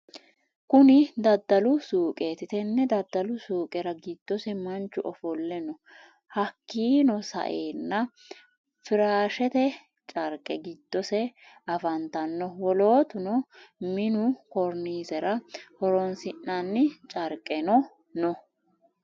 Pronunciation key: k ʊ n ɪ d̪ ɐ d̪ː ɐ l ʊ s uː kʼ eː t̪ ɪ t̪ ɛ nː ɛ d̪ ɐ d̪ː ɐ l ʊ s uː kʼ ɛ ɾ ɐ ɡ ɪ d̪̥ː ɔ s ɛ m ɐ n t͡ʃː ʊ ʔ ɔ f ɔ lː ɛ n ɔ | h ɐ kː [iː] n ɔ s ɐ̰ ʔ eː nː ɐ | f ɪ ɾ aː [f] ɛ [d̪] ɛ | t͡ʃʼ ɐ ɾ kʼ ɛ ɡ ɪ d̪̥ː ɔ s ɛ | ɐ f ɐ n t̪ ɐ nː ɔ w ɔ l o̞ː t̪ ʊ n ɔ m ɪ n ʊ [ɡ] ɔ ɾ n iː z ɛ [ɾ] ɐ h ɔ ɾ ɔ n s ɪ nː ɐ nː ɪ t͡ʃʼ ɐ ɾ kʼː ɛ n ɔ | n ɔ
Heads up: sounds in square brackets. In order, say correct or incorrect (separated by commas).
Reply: correct, incorrect, incorrect, incorrect, correct